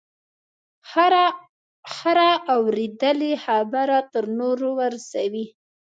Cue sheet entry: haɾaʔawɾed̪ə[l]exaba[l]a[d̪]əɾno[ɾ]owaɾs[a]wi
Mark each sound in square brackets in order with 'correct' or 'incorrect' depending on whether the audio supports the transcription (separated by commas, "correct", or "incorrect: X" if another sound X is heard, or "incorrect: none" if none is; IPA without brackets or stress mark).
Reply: correct, incorrect: ɾ, incorrect: t̪, correct, correct